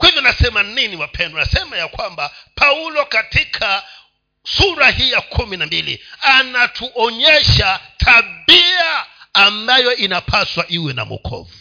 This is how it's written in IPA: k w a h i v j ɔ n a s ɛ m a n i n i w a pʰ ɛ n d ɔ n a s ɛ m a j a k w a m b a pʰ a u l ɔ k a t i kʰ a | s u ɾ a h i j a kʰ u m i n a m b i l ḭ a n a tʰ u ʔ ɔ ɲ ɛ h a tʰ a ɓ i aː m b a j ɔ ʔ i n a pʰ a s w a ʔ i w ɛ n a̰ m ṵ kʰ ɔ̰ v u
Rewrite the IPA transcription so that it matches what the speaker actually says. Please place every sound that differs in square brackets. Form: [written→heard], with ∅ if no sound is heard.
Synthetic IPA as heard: k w a h i v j ɔ n a s ɛ m a n i n i w a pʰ ɛ n d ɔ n a s ɛ m a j a k w a m b a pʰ a u l ɔ k a t i kʰ a | s u ɾ a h i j a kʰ u m i n a m b i l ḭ a n a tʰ u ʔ ɔ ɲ ɛ [h→ʃ] a tʰ a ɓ i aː m b a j ɔ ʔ i n a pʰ a s w a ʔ i w ɛ n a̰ m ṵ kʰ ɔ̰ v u